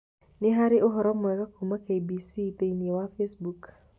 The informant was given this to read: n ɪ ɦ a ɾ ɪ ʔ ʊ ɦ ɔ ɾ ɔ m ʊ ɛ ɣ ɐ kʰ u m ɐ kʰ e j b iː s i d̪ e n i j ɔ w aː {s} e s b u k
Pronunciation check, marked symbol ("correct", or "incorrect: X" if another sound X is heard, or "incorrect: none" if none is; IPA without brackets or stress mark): incorrect: f